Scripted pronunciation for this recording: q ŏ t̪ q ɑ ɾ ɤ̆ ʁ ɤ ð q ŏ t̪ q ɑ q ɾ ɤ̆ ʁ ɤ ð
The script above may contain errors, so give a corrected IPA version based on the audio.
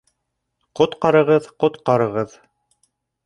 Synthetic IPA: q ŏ t̪ q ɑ ɾ ɤ̆ ʁ ɤ ð q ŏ t̪ q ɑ ɾ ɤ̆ ʁ ɤ ð